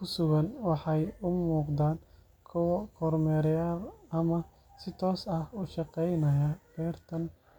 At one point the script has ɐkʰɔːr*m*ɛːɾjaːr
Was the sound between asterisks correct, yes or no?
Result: yes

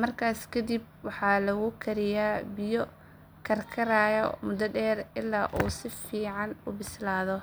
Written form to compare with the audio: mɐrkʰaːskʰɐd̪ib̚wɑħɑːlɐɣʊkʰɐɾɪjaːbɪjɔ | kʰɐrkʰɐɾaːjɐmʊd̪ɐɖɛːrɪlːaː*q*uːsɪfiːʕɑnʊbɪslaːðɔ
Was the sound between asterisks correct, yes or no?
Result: no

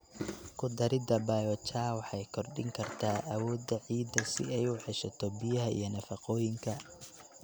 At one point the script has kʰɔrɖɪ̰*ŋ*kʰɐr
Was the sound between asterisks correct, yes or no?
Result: yes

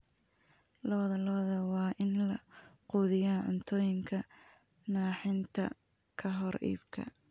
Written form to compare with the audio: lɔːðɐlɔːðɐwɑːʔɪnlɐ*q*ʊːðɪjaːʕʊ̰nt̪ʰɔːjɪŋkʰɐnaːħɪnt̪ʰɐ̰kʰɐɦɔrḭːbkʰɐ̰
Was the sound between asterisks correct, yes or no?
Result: yes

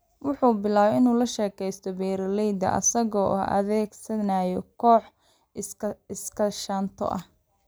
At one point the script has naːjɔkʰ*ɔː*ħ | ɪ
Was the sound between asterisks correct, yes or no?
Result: yes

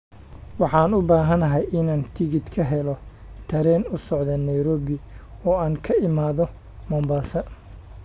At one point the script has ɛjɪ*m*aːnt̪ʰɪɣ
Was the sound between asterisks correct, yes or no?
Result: no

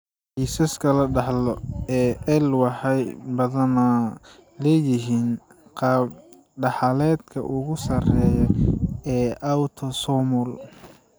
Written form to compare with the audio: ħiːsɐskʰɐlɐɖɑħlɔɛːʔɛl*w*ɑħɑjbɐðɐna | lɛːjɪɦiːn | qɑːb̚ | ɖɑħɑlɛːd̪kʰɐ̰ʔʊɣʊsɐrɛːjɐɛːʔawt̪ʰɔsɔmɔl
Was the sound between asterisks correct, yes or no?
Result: yes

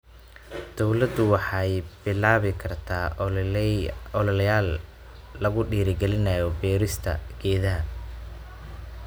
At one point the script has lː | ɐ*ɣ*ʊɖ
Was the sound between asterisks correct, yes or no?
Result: yes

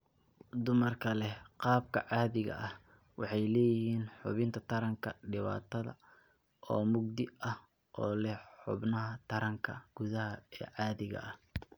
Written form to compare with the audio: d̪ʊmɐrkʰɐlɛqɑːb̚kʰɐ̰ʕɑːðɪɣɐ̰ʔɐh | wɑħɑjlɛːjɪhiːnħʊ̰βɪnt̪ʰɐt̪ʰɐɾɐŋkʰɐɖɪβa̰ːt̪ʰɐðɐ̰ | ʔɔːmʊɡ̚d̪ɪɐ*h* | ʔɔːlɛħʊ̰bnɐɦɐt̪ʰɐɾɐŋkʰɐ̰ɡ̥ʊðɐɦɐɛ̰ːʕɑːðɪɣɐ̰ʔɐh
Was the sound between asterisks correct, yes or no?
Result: yes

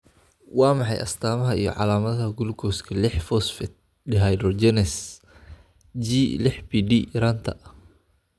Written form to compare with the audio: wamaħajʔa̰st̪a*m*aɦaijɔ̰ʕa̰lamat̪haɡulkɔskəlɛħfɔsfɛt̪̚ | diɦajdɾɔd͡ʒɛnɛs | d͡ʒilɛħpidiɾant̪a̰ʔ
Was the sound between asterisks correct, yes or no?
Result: yes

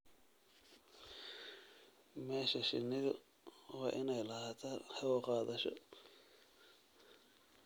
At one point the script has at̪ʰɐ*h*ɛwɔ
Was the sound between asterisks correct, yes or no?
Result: yes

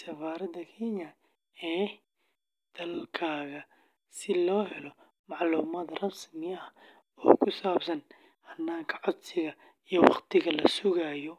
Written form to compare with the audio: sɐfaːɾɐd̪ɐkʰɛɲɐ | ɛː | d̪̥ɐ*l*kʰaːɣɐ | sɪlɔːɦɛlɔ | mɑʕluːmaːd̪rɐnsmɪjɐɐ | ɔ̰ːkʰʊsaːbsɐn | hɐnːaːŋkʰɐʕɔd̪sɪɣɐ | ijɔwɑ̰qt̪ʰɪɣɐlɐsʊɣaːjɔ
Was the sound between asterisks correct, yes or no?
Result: yes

